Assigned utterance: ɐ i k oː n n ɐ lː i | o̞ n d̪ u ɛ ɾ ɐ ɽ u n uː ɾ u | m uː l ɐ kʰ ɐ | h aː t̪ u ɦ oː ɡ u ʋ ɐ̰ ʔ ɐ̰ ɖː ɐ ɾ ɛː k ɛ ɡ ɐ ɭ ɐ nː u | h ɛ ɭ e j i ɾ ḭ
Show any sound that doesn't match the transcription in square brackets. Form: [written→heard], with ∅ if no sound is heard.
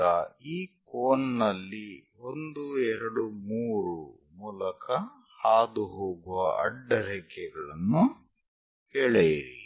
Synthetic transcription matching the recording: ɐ [i→iː] k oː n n ɐ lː i | o̞ n d̪ u ɛ ɾ ɐ ɽ u [n→m] uː ɾ u | m uː l ɐ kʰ ɐ | h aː [t̪→d̪] u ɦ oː ɡ u ʋ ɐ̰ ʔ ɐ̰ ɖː ɐ ɾ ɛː k ɛ ɡ ɐ ɭ ɐ nː u | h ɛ ɭ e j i ɾ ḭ